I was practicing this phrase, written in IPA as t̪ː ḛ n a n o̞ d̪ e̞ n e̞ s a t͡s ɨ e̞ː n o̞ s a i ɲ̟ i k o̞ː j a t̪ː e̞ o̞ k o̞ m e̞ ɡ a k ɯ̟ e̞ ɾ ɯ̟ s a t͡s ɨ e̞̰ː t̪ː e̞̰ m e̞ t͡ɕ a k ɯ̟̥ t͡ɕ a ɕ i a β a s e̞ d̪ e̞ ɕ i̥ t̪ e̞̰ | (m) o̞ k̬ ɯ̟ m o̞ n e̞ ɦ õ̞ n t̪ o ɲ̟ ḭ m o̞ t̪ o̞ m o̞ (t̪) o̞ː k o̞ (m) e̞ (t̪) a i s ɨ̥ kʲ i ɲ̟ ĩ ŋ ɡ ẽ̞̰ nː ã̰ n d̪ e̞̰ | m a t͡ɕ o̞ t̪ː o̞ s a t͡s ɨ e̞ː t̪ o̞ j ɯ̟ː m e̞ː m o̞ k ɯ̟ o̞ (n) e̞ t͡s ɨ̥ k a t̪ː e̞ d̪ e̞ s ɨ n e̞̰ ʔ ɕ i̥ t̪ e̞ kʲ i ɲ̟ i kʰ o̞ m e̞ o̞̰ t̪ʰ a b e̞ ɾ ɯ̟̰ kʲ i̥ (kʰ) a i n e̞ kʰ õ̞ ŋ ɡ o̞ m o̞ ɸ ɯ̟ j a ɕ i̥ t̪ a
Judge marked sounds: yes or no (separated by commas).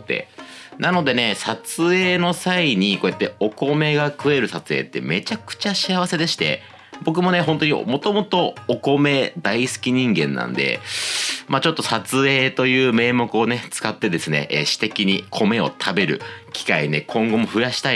no, yes, yes, no, yes, no